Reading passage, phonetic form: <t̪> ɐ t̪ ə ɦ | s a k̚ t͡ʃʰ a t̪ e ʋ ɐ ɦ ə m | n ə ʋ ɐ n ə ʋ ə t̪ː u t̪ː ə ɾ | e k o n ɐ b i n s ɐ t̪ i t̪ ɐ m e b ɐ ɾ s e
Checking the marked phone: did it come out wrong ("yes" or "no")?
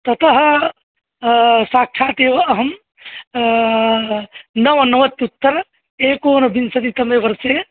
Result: no